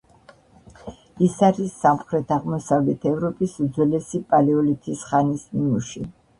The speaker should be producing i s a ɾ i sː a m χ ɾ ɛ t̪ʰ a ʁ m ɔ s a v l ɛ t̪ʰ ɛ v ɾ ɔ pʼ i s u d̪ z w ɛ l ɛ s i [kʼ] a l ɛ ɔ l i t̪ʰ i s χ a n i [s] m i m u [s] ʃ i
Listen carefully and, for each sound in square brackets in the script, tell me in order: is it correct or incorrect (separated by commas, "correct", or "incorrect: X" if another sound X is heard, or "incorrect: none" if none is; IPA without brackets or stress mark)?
incorrect: pʼ, correct, incorrect: none